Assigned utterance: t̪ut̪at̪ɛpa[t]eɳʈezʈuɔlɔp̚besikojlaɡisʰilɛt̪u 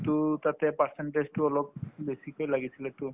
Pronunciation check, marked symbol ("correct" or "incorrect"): incorrect